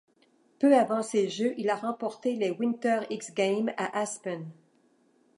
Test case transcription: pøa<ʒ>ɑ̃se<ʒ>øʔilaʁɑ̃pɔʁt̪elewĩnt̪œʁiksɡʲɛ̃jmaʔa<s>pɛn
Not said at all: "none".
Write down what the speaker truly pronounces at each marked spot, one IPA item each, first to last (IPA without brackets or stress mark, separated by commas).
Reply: v, ʒ, s